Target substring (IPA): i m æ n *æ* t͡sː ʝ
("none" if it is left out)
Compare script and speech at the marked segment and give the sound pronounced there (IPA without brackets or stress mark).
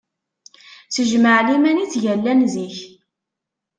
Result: i